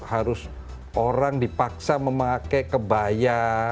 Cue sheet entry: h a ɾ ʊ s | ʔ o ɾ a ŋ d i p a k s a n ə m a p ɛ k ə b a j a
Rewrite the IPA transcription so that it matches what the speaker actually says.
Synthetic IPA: h a ɾ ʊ s | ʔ o ɾ a ŋ d i p a k s a m ə m a k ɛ k ə b a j a